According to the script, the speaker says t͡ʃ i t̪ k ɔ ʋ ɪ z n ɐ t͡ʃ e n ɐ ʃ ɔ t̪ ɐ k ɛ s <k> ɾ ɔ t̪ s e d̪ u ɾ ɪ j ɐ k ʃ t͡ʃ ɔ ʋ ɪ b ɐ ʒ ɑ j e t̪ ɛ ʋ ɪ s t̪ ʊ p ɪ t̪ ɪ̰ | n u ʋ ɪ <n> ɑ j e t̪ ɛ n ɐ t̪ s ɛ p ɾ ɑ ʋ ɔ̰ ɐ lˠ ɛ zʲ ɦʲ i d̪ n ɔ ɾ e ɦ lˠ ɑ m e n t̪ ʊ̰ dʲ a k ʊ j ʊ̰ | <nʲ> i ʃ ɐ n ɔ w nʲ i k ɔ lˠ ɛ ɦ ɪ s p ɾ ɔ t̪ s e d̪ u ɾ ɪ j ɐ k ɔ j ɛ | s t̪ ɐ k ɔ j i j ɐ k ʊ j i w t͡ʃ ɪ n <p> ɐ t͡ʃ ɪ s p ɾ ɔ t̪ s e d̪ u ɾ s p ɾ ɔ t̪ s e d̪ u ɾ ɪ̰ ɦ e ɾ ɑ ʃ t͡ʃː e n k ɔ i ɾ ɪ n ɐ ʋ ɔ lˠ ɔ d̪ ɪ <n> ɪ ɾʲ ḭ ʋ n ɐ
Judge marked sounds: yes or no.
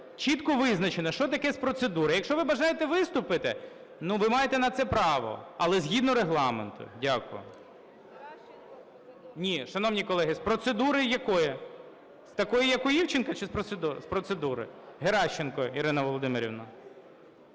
no, no, yes, no, no

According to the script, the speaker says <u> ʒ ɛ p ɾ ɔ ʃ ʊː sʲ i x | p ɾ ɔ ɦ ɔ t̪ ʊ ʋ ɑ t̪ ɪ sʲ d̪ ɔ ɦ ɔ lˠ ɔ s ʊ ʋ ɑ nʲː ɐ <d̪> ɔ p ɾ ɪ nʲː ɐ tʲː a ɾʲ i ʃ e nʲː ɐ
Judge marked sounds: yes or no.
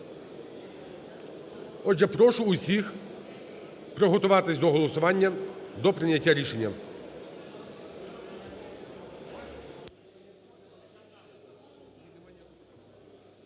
no, yes

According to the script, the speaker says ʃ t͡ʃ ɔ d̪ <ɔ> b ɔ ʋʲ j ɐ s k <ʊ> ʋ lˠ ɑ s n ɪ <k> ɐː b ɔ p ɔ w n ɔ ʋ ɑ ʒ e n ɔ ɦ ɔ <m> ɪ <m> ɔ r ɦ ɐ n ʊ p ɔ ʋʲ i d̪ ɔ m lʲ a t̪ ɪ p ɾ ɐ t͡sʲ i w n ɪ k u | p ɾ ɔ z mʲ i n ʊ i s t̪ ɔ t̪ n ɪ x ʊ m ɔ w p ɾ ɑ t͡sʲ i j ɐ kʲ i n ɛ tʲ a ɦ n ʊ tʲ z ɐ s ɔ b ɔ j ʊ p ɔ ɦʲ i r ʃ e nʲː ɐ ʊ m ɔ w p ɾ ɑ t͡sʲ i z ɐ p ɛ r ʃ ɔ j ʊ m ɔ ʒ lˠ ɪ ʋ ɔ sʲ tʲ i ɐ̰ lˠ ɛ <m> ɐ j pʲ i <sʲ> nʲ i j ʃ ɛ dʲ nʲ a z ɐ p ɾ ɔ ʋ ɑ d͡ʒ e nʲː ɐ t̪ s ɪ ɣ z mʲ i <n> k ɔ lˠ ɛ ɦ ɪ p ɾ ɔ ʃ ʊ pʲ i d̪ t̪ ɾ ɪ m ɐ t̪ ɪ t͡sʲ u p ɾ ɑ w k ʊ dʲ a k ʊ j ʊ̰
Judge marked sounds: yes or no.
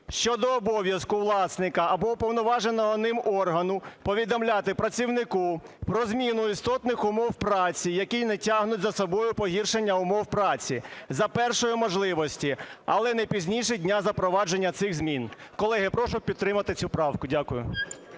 no, yes, yes, no, yes, no, no, yes

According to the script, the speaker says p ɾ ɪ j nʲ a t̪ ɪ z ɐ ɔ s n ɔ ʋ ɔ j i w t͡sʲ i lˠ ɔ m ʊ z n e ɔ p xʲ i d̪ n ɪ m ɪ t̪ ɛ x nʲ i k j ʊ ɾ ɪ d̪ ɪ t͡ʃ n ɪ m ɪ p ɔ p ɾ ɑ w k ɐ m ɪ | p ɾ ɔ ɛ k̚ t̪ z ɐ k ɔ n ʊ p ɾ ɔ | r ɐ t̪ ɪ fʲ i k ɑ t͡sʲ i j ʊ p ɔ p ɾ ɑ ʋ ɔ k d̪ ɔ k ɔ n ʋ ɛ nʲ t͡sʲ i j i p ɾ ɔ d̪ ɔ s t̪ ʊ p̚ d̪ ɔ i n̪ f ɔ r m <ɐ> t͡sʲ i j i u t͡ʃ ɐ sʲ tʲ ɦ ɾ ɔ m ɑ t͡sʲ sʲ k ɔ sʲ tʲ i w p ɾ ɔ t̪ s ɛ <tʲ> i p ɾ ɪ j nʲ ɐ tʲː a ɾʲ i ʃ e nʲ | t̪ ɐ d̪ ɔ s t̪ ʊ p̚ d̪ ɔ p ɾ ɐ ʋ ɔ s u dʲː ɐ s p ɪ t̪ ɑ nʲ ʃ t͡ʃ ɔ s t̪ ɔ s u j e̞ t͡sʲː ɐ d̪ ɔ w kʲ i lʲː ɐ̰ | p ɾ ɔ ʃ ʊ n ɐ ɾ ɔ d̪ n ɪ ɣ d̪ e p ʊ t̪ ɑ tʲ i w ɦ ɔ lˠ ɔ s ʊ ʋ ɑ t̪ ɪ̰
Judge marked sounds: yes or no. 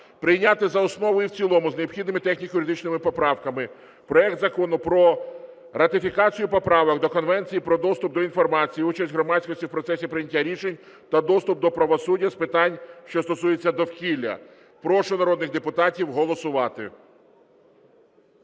no, no

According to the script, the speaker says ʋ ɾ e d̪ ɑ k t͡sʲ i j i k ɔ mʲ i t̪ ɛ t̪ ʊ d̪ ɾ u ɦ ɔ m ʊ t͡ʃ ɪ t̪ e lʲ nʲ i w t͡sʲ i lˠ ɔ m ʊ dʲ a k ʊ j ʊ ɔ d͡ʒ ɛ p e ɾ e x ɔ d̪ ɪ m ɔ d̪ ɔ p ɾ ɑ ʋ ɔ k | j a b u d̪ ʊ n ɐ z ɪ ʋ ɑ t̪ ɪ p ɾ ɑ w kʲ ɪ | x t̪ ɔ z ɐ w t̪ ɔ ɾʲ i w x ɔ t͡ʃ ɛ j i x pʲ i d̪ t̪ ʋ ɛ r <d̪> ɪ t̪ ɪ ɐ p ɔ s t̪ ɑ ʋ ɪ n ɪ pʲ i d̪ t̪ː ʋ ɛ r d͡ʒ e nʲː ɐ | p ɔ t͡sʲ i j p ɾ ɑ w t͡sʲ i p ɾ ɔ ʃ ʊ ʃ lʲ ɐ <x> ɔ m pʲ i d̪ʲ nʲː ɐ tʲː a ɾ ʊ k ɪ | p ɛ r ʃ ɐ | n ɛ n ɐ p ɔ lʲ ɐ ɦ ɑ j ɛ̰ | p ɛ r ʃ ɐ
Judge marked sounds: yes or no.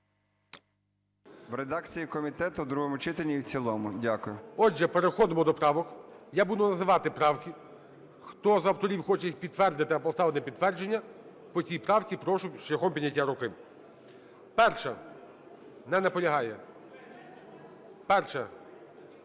yes, yes

